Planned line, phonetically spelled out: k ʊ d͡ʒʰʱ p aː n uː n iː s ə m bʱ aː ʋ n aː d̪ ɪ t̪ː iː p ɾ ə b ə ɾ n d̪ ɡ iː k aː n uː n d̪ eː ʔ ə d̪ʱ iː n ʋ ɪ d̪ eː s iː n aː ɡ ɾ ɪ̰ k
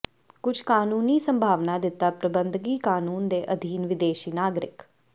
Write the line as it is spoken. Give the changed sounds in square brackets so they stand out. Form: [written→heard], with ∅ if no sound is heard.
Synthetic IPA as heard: k ʊ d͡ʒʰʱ [p→k] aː n uː n iː s ə m bʱ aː ʋ n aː d̪ ɪ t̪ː [iː→aː] p ɾ ə b ə [ɾ→∅] n d̪ ɡ iː k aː n uː n d̪ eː ʔ ə d̪ʱ iː n ʋ ɪ d̪ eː [s→ʃ] iː n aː ɡ ɾ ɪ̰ k